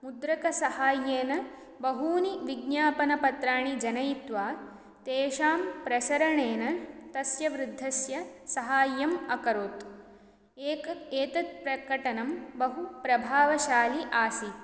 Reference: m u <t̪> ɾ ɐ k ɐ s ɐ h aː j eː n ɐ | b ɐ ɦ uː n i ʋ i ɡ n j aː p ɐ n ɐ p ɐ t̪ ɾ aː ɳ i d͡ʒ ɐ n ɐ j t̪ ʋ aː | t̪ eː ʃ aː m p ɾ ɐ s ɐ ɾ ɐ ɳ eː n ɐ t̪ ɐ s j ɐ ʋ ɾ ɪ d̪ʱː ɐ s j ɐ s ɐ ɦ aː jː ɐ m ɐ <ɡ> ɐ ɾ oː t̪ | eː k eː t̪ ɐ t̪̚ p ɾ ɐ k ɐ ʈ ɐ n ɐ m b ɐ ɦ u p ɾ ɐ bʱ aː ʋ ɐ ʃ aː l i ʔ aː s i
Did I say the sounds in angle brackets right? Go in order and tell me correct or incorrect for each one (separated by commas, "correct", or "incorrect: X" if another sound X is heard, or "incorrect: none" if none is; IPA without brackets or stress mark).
incorrect: d̪, incorrect: k